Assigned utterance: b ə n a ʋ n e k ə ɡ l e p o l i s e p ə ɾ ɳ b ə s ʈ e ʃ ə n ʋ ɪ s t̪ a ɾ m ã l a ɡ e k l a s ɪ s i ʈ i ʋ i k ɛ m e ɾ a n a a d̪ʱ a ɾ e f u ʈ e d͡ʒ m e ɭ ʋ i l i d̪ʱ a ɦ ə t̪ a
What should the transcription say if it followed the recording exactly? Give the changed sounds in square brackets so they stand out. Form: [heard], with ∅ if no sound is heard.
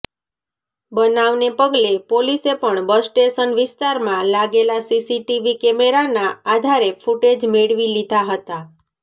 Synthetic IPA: b ə n a ʋ n e [p] ə ɡ l e p o l i s e p ə [∅] ɳ b ə s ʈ e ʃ ə n ʋ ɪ s t̪ a ɾ m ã l a ɡ e [∅] l a s [i] s i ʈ i ʋ i k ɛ m e ɾ a n a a d̪ʱ a ɾ e f u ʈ e d͡ʒ m e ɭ ʋ i l i d̪ʱ a ɦ ə t̪ a